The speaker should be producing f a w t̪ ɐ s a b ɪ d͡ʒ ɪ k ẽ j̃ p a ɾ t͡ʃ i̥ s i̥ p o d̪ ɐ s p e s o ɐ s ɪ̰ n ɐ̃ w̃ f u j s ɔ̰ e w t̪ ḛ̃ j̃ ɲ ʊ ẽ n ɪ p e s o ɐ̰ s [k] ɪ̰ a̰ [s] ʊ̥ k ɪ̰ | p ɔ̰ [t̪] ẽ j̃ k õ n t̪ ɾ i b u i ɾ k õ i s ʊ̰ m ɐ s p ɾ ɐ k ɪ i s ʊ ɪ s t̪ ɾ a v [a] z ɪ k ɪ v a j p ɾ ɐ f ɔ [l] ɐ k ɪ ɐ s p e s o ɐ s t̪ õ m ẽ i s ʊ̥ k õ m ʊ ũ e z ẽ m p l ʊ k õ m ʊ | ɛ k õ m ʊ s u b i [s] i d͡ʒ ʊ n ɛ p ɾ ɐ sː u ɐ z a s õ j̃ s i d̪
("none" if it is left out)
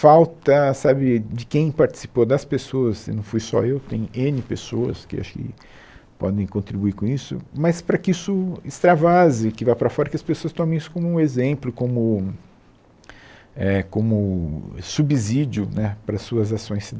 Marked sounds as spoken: k, ʃ, d̪, a, ɾ, z

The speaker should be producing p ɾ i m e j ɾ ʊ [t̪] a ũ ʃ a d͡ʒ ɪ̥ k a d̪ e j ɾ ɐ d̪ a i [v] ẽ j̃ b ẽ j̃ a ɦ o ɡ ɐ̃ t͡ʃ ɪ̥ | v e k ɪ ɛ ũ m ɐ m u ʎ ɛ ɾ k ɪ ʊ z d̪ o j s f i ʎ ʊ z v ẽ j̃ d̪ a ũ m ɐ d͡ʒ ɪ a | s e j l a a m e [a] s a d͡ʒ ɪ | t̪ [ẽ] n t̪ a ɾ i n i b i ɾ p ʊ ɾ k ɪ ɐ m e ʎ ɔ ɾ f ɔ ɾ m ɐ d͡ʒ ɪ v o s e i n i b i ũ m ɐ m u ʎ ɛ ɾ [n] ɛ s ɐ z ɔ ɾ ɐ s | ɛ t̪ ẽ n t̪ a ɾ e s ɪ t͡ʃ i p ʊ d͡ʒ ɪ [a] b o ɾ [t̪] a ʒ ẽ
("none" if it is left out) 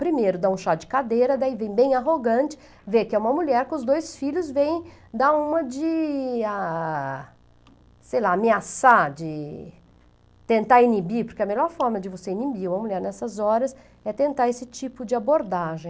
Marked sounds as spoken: d̪, v, a, ẽ, n, a, d̪

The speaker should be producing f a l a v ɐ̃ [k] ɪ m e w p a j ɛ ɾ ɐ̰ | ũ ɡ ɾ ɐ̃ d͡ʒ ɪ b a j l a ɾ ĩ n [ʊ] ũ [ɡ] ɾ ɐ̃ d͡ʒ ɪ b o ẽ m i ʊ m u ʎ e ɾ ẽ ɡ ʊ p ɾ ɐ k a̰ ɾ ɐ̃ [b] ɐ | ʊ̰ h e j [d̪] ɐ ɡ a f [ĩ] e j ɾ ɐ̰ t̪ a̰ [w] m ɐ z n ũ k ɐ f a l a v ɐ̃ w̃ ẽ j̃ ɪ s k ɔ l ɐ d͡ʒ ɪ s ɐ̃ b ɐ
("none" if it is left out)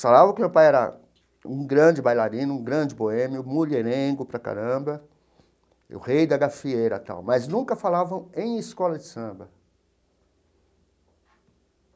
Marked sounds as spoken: k, ʊ, ɡ, b, d̪, i, w

